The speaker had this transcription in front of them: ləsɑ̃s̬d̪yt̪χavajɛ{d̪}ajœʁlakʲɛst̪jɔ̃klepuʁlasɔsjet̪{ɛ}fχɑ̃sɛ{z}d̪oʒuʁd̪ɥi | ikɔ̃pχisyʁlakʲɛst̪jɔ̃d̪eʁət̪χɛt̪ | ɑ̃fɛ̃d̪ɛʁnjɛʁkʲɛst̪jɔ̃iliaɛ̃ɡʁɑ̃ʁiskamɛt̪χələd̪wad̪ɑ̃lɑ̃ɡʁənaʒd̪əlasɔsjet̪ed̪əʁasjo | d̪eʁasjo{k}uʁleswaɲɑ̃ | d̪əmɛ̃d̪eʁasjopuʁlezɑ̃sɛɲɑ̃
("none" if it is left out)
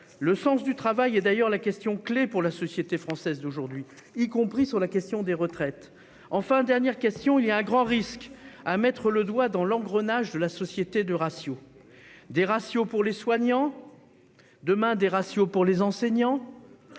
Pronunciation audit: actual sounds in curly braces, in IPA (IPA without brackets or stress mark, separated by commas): d̪, e, z, p